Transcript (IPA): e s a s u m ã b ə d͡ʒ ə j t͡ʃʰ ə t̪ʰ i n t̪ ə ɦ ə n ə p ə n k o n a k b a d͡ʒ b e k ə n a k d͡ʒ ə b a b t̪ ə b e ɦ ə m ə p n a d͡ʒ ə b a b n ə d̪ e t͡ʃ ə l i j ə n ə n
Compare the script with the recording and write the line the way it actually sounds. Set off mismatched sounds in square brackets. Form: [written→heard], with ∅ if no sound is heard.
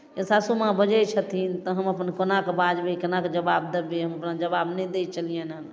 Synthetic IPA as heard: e s a s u m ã b ə d͡ʒ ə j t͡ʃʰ ə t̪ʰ i n t̪ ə ɦ ə [n→m] ə p ə n k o n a k b a d͡ʒ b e k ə n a k d͡ʒ ə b a b [t̪→d̪] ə b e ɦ ə m ə p n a d͡ʒ ə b a b n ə d̪ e t͡ʃ ə l i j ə n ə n